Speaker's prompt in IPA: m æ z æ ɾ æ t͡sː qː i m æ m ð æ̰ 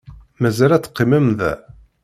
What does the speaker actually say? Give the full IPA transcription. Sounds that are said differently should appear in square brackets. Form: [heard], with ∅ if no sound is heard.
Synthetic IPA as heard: m æ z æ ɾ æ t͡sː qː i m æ m ð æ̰